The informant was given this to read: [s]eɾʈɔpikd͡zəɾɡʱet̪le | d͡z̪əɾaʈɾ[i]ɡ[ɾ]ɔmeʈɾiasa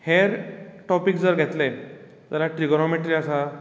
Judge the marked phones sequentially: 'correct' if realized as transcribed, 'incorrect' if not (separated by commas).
incorrect, correct, correct